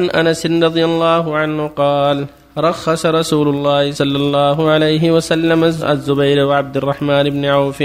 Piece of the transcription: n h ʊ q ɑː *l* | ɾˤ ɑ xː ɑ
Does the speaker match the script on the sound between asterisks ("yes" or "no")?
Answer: yes